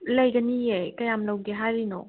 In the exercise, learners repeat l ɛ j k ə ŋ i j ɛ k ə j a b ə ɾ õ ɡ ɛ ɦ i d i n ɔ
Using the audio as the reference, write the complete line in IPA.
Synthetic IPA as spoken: l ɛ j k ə n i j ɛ k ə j a m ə l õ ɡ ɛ ɦ a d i n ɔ